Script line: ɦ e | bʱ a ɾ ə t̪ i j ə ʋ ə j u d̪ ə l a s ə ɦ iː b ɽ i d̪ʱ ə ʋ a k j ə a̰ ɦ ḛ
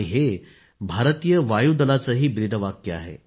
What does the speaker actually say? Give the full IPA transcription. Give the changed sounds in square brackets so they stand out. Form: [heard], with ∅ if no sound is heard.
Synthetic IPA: ɦ e | bʱ a ɾ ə t̪ i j ə ʋ [a] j u d̪ ə l a [t͡s] ə ɦ iː b [ɾ] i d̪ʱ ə ʋ a k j ə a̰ ɦ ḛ

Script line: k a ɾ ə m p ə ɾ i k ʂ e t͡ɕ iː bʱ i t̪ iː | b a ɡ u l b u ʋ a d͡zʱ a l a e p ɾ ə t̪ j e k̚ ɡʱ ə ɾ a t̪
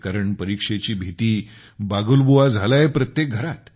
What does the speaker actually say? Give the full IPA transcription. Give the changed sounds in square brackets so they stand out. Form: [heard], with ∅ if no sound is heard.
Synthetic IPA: k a ɾ ə [ɳ] p ə ɾ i k ʂ e t͡ɕ iː bʱ i t̪ iː | b a ɡ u l b u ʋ a d͡zʱ a l a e p ɾ ə t̪ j e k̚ ɡʱ ə ɾ a t̪

